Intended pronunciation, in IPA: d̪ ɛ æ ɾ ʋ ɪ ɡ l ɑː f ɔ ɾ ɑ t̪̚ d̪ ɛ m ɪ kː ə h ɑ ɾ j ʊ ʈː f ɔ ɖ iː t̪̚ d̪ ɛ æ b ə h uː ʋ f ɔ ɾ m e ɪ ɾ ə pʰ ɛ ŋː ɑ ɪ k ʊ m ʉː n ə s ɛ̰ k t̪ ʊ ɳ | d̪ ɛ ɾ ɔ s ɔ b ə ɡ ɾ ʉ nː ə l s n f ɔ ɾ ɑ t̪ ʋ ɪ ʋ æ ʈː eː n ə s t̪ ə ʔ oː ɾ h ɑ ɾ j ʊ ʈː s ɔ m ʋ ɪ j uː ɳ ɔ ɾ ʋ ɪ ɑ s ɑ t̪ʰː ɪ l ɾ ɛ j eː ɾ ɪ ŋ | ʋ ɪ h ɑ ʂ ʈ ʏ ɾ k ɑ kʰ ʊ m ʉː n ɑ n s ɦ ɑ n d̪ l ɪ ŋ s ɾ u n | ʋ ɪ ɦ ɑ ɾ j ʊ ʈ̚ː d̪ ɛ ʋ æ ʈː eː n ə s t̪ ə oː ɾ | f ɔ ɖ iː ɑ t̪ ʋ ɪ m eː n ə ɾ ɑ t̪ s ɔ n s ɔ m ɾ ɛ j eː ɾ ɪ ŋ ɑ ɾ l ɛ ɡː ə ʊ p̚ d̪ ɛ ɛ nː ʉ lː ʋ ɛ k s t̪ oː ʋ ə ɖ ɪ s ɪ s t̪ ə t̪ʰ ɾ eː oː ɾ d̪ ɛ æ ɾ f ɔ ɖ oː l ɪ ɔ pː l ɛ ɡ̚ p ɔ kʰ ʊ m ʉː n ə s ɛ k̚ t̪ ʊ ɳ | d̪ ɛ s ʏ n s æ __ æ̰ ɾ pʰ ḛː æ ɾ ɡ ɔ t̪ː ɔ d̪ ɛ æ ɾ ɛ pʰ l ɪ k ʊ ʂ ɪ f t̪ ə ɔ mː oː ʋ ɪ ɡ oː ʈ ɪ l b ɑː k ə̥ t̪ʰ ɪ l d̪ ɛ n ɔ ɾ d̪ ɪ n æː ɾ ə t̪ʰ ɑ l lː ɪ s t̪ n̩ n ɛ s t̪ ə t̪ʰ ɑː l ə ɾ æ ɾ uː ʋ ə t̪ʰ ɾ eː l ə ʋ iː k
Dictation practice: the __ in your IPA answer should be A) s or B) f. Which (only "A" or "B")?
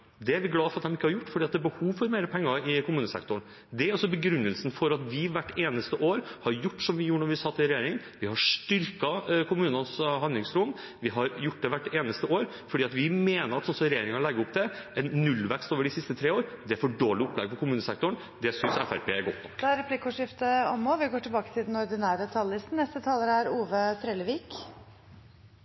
B